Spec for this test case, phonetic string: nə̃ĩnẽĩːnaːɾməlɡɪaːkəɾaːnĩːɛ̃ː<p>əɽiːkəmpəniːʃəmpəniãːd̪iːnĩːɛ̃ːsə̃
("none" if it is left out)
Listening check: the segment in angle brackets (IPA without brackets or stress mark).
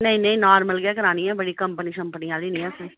b